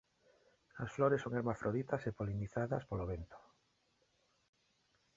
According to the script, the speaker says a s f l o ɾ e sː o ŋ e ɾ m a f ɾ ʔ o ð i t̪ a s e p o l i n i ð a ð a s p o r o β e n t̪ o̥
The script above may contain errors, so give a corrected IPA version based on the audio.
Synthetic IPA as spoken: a s f l o ɾ e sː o ŋ e ɾ m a f ɾ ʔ o ð i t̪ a s e p o l i n i θ a ð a s p o l o β e n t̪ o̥